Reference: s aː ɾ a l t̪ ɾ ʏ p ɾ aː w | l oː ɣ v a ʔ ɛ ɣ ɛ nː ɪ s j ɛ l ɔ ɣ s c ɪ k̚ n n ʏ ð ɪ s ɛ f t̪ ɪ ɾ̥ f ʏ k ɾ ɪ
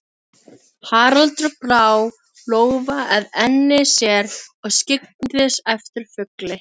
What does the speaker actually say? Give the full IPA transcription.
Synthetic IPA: h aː ɾ a l t̪ ɾ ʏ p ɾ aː w | l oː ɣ v a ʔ ɛ ð ɛ nː ɪ s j ɛ ɾ ɔ ɣ s c ɪ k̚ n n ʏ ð ɪ s ɛ f t̪ ɪ ɾ̥ f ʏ k l ɪ